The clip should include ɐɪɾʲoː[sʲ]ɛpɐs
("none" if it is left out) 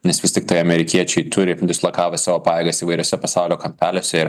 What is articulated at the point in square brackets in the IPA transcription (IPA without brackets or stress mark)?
sʲ